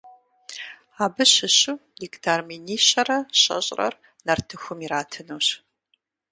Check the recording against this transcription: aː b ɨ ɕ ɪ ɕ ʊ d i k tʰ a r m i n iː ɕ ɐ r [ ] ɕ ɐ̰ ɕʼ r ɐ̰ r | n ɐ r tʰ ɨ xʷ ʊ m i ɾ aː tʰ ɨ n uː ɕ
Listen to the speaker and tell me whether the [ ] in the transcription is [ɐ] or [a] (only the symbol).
ɐ